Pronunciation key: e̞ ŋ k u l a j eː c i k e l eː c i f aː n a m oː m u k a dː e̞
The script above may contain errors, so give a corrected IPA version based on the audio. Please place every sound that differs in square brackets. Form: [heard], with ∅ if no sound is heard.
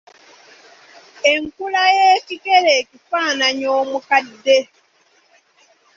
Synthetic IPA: e̞ ŋ k u l a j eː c i k e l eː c i f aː n a [ɲ] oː m u k a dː e̞